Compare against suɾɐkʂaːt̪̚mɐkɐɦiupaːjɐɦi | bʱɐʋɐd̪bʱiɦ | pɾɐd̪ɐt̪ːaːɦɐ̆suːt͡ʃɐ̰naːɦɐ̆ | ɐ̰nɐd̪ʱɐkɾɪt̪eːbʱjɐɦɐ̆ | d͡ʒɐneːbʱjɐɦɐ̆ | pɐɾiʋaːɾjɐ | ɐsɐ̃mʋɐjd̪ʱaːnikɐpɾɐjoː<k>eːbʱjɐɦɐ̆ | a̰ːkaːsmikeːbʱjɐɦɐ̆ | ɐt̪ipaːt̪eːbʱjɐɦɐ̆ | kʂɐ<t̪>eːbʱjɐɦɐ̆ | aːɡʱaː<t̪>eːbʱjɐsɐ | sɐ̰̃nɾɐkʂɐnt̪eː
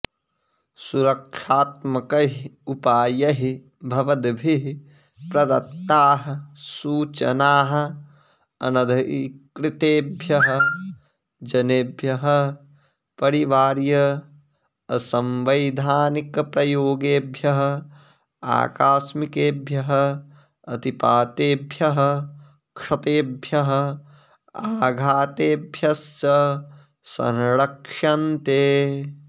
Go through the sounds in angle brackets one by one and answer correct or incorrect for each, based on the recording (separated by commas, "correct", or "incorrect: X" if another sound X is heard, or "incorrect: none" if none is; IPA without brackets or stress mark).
incorrect: ɡ, correct, correct